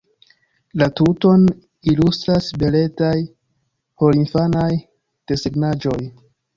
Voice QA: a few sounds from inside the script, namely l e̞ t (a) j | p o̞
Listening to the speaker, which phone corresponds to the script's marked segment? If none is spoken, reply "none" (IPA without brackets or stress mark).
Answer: a